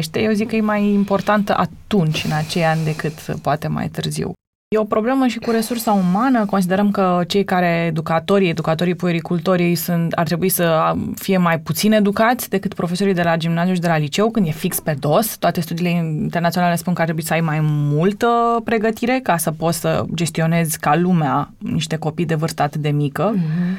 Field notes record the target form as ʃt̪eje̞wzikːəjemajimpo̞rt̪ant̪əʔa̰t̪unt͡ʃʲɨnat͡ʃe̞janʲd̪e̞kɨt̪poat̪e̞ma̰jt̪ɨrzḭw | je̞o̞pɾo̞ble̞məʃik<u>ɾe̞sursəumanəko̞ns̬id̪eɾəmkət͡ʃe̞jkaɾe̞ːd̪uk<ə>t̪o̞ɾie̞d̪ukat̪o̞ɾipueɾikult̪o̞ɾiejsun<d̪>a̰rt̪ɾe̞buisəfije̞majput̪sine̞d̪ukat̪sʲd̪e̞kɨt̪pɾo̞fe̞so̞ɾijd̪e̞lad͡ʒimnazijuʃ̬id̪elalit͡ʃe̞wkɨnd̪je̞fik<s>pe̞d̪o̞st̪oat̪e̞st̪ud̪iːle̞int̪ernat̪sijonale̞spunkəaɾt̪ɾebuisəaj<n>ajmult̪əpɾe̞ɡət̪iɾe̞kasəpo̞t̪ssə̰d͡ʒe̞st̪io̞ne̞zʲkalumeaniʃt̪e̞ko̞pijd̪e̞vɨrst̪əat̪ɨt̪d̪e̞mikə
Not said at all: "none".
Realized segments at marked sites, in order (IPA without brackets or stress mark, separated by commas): u, a, t̪, s, m